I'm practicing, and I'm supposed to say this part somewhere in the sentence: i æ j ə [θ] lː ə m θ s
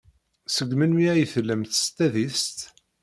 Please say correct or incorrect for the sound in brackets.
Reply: correct